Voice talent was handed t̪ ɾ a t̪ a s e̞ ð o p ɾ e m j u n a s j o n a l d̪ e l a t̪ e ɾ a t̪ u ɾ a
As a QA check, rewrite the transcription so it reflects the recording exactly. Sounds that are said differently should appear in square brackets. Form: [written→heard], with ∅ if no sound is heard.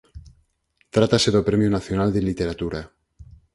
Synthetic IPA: t̪ ɾ a t̪ a s e̞ ð o p ɾ e m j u n a [s→θ] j o n a l d̪ e l [a→i] t̪ e ɾ a t̪ u ɾ a